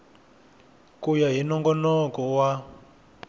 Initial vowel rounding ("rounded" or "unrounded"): rounded